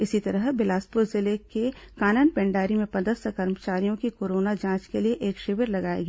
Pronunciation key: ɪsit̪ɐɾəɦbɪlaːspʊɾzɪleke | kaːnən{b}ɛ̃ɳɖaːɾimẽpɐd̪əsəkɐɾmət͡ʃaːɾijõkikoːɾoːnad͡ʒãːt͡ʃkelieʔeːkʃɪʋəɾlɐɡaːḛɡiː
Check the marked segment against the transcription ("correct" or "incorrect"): incorrect